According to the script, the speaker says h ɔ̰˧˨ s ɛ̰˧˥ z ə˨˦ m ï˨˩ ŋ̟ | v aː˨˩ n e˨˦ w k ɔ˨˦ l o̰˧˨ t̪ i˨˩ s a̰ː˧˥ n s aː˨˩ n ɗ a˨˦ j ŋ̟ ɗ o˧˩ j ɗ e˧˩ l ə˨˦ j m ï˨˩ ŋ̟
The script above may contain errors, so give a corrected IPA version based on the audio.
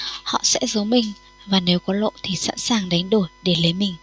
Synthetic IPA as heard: h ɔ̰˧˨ s ɛ̰˧˥ z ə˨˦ m ï˨˩ ŋ̟ | v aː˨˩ n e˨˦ w k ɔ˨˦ l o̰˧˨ t̪ʰ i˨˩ s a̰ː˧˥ n s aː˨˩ ŋ ɗ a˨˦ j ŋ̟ ɗ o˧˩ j ɗ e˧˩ l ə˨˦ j m ï˨˩ ŋ̟